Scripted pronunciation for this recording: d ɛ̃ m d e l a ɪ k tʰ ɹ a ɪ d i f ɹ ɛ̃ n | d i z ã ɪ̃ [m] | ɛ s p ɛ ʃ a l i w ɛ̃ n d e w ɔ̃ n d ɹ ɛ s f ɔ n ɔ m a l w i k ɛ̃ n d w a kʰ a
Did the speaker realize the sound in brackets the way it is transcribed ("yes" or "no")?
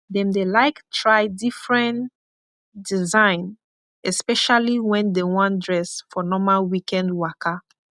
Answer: no